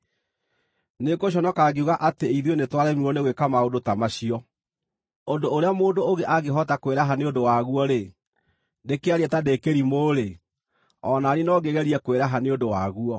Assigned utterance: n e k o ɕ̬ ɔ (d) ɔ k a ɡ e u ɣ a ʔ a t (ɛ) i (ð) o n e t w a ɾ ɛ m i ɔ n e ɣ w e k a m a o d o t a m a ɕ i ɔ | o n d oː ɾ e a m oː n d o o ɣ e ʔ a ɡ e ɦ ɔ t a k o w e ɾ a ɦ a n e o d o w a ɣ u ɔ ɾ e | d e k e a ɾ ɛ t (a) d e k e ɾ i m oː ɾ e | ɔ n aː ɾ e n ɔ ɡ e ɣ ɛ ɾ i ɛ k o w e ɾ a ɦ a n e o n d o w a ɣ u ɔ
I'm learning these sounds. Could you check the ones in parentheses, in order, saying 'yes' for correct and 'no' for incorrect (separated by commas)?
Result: no, no, yes, yes